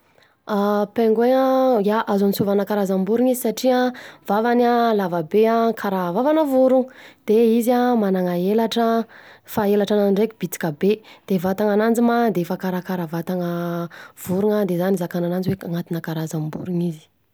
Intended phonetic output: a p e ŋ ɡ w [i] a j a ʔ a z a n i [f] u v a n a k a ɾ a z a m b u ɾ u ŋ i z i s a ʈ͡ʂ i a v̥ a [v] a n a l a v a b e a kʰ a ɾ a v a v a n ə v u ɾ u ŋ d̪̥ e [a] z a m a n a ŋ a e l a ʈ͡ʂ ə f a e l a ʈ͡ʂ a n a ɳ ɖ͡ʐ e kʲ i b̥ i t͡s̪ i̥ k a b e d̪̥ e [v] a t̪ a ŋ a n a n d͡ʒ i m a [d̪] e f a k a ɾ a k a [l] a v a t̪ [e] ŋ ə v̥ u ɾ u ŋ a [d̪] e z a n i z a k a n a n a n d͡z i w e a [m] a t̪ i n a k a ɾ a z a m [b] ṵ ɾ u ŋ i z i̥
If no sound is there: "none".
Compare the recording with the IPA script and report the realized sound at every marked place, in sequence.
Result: e, s, v, i, v, d̪, ɾ, a, d̪, ŋ, b

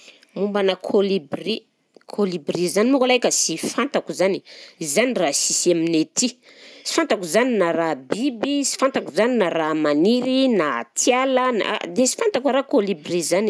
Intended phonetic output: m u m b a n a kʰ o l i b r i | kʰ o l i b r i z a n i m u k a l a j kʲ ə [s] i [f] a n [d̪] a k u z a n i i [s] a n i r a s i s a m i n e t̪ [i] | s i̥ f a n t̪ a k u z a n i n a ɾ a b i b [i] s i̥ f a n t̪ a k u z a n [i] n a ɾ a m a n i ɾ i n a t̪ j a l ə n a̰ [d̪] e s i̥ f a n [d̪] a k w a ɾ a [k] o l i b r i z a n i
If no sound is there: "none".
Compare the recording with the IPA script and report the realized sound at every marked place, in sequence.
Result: s, f, t̪, z, i, i, i, d̪, t̪, k

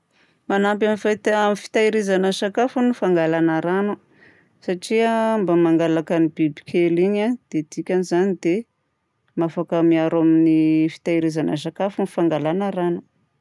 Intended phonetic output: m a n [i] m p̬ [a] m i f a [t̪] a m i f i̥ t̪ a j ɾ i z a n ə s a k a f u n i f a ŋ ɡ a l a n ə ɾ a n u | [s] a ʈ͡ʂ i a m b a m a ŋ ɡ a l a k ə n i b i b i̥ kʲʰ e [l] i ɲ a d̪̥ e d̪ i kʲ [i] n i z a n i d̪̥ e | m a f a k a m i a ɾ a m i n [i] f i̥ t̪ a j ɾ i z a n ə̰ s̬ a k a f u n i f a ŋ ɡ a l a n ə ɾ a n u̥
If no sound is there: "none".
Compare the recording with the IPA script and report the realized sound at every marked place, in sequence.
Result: a, a, t̪, s, l, a, i

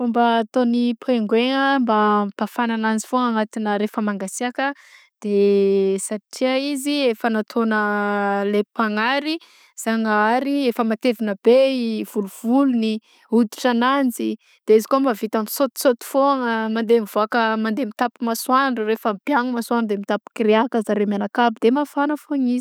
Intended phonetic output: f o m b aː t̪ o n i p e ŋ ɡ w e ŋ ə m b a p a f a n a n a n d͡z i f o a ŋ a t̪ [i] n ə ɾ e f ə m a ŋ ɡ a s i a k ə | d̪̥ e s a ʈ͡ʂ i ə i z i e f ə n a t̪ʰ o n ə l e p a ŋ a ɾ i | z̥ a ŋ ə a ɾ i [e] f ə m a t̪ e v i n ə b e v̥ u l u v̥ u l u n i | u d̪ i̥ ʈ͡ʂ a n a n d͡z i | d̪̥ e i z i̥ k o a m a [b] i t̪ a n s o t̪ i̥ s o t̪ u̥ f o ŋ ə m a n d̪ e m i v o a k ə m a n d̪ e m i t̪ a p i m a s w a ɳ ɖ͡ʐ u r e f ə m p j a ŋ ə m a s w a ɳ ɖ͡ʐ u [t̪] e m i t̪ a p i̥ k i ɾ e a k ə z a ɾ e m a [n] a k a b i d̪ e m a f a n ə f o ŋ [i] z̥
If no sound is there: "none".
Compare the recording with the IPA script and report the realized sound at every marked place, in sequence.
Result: i, e, v, d̪, n, i

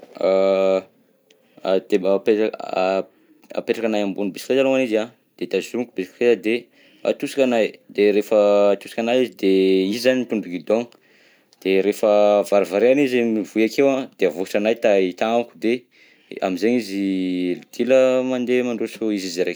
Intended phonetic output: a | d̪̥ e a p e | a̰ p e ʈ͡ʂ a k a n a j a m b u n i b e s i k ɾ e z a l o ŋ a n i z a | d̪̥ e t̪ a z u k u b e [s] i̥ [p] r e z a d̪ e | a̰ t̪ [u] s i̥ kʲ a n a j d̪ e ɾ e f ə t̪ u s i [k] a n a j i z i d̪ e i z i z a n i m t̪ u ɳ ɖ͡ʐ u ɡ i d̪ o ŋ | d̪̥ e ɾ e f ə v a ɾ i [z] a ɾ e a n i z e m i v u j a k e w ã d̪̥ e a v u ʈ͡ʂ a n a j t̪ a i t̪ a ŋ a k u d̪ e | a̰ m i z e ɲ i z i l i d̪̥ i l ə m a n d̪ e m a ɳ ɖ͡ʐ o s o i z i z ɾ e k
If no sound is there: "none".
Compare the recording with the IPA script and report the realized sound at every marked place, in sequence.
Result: s, k, u, k, v

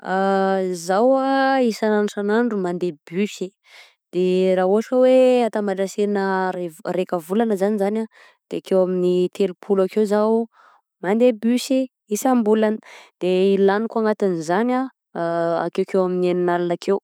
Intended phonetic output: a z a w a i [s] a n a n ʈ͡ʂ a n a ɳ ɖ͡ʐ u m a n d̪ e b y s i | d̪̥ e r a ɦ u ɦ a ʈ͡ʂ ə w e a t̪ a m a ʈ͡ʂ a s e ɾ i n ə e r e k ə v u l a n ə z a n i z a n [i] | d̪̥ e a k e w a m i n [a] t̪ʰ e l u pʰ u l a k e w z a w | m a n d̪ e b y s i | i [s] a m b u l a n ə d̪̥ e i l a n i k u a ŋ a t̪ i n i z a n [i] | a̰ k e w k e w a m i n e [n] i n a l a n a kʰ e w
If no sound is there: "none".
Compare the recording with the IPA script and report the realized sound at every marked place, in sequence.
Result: s, a, i, s, a, n

